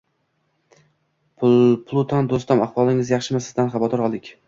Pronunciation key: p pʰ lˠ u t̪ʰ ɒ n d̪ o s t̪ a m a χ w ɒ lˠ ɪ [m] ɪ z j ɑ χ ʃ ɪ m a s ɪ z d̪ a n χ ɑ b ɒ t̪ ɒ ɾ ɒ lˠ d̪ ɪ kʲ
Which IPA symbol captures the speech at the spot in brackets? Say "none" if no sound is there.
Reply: ŋ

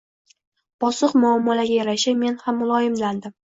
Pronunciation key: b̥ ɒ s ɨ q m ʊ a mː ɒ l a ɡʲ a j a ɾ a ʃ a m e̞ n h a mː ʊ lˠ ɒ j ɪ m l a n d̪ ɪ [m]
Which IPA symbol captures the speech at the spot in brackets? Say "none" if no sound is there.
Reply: m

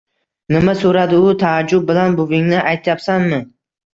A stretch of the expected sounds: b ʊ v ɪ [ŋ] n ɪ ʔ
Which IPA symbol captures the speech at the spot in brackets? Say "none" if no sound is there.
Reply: ŋ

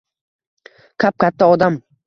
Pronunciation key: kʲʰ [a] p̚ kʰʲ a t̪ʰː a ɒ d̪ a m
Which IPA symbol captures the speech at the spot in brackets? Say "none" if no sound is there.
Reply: a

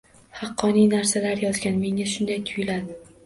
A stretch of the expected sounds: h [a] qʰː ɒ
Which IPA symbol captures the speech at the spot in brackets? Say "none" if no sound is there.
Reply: ɑ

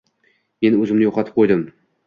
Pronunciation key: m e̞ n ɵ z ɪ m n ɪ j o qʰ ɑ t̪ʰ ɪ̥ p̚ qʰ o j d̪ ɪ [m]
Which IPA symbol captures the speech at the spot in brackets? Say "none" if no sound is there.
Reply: m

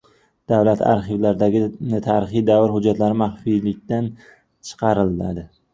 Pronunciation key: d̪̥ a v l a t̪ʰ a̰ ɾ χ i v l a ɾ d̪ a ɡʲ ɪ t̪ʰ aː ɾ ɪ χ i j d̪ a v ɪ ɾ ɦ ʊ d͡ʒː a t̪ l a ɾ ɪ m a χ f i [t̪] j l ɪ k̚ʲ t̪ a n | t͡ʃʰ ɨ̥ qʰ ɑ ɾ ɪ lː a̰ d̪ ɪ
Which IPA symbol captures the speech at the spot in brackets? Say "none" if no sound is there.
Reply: none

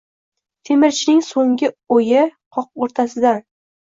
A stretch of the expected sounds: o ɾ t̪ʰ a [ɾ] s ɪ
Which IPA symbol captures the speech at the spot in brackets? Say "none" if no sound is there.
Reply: none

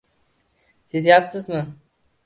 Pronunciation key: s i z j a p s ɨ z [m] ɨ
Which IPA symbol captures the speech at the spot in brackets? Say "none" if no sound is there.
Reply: m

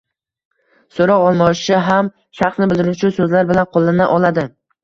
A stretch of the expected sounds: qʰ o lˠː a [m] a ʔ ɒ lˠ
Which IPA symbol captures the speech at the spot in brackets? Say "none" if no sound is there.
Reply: n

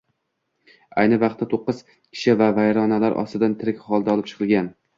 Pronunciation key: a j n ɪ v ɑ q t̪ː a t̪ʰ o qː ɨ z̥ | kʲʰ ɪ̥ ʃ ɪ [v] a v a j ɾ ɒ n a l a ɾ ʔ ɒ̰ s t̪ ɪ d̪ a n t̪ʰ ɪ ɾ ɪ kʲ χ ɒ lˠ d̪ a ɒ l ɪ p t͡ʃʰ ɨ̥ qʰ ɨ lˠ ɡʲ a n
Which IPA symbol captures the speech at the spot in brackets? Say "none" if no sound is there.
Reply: v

